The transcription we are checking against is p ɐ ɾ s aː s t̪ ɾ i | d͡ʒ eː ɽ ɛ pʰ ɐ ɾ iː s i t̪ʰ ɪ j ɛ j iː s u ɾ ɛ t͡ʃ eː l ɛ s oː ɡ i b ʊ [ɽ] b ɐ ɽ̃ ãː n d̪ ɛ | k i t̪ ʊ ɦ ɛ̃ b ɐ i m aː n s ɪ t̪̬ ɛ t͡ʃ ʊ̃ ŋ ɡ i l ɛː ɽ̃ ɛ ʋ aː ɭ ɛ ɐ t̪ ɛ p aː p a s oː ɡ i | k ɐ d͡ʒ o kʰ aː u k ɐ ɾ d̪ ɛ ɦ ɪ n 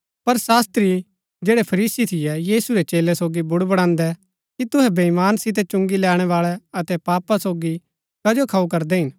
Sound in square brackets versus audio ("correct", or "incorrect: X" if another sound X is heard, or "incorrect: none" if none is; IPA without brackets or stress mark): correct